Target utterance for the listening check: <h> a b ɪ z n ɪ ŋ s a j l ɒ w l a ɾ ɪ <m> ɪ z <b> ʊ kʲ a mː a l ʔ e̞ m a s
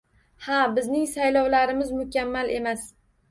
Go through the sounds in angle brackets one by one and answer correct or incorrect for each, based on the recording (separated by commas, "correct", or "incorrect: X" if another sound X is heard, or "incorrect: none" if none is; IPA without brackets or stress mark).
correct, correct, incorrect: m